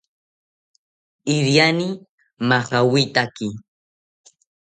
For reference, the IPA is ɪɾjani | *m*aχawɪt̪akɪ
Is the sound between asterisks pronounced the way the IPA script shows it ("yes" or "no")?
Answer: yes